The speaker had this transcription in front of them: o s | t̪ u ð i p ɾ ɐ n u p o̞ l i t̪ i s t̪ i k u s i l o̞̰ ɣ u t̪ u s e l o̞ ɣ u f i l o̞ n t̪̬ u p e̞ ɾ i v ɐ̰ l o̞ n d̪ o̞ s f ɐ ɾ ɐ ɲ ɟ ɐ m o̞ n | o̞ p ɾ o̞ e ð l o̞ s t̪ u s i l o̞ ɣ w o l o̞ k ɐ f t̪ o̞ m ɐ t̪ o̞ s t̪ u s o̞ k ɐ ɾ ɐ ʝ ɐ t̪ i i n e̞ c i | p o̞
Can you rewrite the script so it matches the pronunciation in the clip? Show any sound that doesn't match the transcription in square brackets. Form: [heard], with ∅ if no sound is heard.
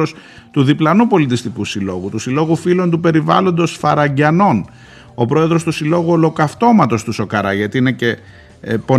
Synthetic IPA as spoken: o s | t̪ u ð i p [l] ɐ n u p o̞ l i t̪ i s t̪ i k u s i l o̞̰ ɣ u t̪ u s [i] l o̞ ɣ u f i l o̞ n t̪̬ u p e̞ ɾ i v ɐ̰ l o̞ n d̪ o̞ s f ɐ ɾ ɐ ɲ ɟ ɐ [n] o̞ n | o̞ p ɾ o̞ e ð [ɾ] o̞ s t̪ u s i l o̞ ɣ [u] o l o̞ k ɐ f t̪ o̞ m ɐ t̪ o̞ s t̪ u s o̞ k ɐ ɾ ɐ ʝ ɐ t̪ i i n e̞ c [e] | p o̞